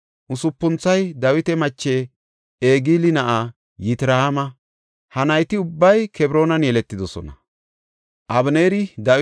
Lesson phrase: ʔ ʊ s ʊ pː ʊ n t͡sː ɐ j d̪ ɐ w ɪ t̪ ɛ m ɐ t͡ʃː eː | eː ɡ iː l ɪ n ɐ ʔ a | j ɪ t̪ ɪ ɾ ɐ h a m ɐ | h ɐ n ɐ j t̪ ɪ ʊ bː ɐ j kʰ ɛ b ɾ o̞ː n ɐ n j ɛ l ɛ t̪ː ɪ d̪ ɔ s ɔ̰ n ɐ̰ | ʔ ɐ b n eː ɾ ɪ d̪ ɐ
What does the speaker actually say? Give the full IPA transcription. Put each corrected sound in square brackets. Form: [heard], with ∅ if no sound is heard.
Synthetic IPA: ʔ ʊ s ʊ pː ʊ n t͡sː ɐ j d̪ ɐ w ɪ t̪ ɛ m ɐ t͡ʃː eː | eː ɡ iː l ɪ n ɐ ʔ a | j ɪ t̪ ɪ ɾ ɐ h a m ɐ | h ɐ n ɐ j t̪ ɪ ʊ bː ɐ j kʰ ɛ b ɾ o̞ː n ɐ n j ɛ l ɛ t̪ː ɪ d̪ ɔ s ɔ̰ n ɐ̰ | ʔ ɐ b n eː ɾ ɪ d̪ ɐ